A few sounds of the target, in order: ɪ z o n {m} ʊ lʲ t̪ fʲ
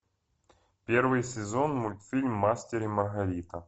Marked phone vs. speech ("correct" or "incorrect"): correct